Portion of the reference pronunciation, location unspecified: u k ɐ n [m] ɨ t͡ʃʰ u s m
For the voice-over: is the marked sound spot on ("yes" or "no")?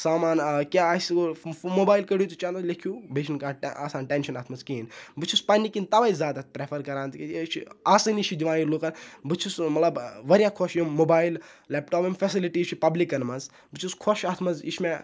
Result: no